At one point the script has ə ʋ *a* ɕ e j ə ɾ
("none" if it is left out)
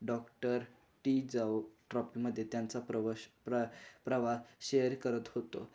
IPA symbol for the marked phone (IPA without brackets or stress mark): a